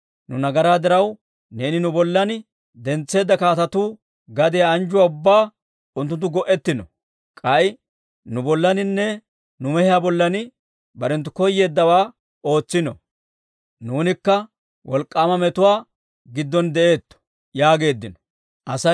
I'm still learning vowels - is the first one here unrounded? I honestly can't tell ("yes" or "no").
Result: no